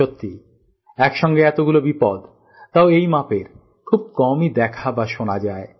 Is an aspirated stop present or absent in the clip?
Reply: present